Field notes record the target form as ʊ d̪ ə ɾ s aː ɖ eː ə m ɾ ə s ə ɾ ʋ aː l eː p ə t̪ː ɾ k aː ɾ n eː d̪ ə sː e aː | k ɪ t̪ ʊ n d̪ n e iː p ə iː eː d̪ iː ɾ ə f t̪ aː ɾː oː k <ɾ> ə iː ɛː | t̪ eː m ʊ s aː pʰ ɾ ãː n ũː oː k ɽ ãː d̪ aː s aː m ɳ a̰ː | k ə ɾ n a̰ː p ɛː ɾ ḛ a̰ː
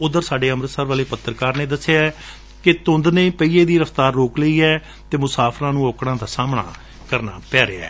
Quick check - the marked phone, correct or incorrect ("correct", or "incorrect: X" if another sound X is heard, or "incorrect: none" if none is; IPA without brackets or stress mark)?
incorrect: l